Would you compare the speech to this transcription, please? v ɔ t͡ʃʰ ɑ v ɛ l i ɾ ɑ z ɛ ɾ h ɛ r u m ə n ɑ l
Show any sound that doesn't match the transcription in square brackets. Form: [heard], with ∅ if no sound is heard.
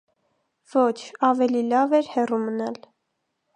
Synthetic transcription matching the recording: v ɔ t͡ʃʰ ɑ v ɛ l i [l] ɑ [v] ɛ ɾ h ɛ r u m ə n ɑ l